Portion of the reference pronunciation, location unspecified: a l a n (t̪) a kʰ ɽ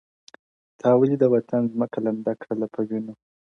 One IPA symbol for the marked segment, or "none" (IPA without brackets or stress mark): d̪